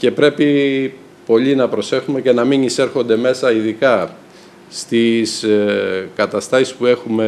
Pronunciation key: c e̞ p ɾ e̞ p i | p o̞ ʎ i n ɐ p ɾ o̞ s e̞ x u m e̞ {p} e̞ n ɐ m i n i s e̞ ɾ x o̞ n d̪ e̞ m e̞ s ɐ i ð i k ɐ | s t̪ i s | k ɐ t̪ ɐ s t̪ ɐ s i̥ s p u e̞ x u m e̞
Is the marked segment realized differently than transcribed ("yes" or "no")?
yes